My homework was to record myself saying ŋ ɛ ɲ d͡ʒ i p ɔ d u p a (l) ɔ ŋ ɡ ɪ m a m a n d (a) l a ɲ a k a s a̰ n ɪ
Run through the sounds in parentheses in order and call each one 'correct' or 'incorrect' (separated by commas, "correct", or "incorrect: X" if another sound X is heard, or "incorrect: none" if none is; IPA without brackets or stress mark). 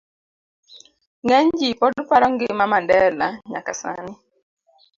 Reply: incorrect: ɾ, incorrect: ɛ